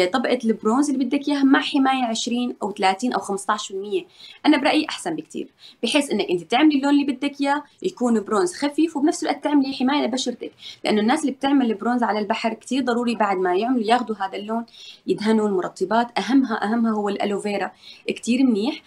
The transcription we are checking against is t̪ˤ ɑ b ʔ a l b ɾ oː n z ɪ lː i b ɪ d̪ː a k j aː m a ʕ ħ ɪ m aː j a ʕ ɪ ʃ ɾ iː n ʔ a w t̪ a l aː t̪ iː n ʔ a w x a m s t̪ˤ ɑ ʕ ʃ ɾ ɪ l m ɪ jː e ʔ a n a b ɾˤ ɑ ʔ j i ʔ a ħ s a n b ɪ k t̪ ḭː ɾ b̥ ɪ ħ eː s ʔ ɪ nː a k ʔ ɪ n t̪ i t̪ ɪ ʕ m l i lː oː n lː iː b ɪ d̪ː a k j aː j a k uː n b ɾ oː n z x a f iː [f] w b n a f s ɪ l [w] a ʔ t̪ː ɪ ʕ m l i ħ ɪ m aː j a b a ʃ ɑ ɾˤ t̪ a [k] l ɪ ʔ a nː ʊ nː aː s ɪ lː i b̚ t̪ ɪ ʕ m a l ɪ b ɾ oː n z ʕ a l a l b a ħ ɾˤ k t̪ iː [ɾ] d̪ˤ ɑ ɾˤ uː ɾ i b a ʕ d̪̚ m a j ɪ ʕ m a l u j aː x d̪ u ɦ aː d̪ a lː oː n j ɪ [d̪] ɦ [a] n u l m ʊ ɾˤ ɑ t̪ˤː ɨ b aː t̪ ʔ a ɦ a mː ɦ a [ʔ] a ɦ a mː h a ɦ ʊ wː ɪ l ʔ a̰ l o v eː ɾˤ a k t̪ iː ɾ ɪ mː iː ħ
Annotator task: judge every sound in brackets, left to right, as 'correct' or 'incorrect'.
correct, correct, correct, correct, correct, correct, correct

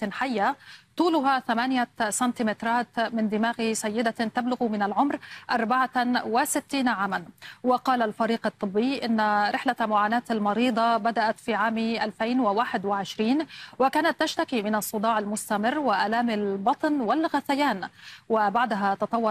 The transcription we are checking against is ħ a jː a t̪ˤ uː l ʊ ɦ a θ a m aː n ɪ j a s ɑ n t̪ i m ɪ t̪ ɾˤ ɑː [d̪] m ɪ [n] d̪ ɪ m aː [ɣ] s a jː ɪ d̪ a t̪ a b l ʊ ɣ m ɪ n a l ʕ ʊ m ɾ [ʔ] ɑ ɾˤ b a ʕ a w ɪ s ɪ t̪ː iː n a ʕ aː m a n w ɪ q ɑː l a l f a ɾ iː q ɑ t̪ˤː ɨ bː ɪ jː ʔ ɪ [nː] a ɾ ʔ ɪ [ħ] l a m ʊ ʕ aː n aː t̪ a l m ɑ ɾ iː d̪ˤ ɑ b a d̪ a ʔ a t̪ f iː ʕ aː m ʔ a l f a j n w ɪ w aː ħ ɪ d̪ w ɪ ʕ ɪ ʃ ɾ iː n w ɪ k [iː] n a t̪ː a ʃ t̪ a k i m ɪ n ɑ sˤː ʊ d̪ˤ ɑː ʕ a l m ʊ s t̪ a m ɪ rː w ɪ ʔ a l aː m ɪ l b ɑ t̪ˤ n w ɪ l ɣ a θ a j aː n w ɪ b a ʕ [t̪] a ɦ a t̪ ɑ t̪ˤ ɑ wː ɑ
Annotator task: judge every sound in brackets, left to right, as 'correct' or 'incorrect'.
incorrect: t̪, correct, correct, correct, correct, correct, incorrect: aː, incorrect: d̪

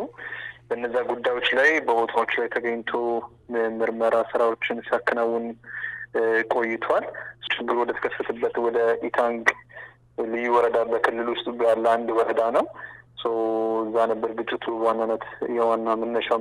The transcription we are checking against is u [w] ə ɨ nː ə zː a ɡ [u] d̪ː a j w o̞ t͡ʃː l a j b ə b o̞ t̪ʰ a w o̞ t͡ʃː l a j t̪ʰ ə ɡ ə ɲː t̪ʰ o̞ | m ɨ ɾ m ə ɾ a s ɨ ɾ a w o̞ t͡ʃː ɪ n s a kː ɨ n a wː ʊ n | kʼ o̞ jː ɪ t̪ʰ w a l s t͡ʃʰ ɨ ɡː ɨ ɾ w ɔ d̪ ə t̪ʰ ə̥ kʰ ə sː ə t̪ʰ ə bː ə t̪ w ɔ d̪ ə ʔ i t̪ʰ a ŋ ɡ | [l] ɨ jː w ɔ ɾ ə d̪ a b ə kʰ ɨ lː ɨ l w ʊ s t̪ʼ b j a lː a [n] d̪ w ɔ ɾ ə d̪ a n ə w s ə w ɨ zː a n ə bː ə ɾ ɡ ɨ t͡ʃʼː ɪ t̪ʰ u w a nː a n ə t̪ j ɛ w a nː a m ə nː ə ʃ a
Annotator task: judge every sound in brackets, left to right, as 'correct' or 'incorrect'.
incorrect: b, correct, correct, correct

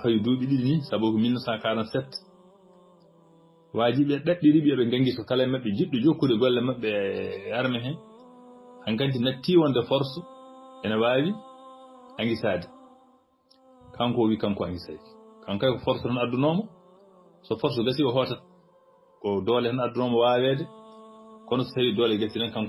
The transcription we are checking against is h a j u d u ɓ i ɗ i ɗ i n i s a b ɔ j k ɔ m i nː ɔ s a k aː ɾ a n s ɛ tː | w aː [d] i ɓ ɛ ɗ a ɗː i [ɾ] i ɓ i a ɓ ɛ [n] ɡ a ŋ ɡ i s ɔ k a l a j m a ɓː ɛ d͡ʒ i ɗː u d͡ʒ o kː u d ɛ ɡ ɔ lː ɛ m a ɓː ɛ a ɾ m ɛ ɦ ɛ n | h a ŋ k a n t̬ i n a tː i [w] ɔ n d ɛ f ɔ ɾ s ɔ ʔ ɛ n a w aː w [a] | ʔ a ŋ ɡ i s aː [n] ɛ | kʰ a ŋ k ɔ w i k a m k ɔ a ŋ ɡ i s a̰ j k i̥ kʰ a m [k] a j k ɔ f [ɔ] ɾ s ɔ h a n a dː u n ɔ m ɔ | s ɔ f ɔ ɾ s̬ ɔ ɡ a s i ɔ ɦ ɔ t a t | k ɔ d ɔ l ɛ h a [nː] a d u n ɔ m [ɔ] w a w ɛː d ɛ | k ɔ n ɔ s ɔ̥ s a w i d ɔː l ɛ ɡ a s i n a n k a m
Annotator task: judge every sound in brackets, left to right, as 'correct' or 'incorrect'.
incorrect: d͡ʒ, correct, incorrect: ŋ, correct, incorrect: i, incorrect: d, correct, correct, incorrect: n, correct

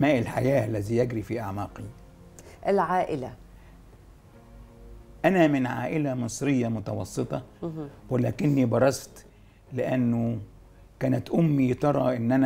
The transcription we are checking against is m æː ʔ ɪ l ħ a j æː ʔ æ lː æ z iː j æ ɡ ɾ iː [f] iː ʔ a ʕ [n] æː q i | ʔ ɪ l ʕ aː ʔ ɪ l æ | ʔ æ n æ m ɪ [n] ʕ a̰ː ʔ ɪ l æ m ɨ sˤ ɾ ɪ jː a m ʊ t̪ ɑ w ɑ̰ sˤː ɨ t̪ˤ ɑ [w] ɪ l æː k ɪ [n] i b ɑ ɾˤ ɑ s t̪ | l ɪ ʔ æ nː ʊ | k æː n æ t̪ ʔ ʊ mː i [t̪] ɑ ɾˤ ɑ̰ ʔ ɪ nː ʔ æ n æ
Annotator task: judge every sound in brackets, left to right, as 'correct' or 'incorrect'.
correct, incorrect: m, correct, correct, incorrect: nː, correct

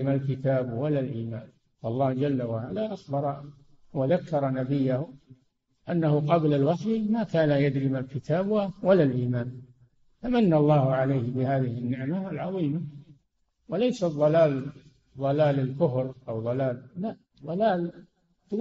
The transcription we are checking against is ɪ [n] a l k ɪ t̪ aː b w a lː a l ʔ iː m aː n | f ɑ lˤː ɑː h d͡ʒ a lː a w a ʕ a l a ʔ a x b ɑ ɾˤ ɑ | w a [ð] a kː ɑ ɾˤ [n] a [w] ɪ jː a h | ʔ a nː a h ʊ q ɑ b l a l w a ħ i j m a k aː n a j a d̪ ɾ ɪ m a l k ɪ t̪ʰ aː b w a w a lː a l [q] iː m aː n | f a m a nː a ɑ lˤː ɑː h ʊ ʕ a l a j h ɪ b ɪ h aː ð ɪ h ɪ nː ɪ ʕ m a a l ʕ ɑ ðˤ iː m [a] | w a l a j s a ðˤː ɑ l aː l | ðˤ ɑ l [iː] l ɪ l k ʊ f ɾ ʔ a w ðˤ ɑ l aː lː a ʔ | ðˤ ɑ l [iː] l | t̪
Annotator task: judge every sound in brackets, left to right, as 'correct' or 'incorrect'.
incorrect: m, correct, correct, incorrect: b, incorrect: ʔ, correct, incorrect: aː, incorrect: aː

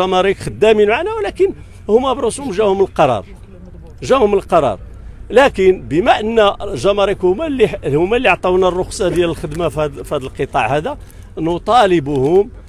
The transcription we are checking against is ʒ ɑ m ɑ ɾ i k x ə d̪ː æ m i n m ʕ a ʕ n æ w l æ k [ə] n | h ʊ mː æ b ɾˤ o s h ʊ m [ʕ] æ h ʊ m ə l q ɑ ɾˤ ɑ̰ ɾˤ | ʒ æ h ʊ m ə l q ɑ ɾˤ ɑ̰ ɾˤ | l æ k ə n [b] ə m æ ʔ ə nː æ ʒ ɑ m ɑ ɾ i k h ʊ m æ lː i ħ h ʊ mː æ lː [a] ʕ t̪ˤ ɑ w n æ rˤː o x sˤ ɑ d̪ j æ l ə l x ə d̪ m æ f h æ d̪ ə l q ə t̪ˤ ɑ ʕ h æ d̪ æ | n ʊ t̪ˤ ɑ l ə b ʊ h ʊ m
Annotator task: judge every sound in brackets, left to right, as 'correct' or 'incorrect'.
correct, incorrect: ʒ, correct, incorrect: i

